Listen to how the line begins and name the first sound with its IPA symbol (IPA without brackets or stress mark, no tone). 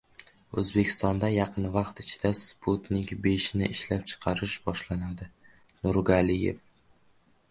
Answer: ɵ